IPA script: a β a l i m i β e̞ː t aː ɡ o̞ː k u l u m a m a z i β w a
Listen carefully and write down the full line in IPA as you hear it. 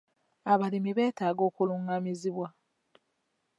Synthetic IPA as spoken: a β a l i m i β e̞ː t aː ɡ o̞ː k u l u ŋ a m i z i β w a